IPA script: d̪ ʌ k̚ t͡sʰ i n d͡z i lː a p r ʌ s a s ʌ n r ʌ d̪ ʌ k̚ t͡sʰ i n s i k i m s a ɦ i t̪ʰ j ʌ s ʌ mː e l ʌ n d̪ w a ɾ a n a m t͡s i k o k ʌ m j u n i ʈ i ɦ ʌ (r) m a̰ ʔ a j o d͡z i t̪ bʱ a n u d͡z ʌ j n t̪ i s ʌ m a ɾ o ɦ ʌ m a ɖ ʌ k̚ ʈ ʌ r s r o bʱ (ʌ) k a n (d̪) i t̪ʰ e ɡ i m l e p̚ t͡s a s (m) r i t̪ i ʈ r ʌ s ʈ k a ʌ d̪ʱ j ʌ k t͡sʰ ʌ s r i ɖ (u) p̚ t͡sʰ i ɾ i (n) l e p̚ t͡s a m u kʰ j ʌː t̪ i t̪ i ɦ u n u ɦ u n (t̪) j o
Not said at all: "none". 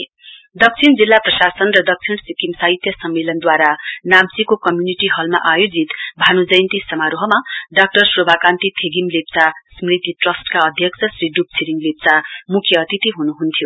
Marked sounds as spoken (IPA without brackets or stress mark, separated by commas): l, a, t̪, m, u, ŋ, t̪ʰ